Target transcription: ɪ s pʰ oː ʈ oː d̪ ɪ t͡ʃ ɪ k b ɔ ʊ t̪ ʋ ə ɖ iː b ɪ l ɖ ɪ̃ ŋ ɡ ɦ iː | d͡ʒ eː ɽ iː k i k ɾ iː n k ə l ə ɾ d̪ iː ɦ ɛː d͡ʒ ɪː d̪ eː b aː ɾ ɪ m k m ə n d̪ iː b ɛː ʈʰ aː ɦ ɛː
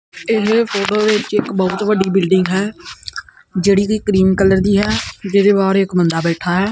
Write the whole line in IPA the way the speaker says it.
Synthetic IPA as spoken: ɪ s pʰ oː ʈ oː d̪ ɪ t͡ʃ ɪ k b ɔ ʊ t̪ ʋ ə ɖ iː b ɪ l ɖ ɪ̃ ŋ ɡ ɦ ɛː | d͡ʒ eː ɽ iː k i k ɾ iː n k ə l ə ɾ d̪ iː ɦ ɛː d͡ʒ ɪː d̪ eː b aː ɾ ɪ k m ə n d̪ aː b ɛː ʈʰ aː ɦ ɛː